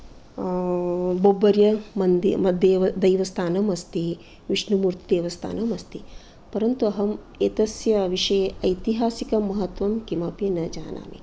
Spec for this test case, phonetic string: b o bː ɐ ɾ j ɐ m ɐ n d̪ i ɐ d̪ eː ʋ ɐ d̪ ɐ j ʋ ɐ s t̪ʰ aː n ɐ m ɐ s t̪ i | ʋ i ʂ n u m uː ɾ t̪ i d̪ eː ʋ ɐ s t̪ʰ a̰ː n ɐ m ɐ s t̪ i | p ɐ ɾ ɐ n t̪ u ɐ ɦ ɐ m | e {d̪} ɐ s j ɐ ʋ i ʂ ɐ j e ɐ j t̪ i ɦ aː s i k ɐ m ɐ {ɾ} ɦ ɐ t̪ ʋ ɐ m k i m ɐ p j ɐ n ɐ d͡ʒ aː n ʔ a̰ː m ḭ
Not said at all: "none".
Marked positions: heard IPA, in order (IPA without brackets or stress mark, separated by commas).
t̪, none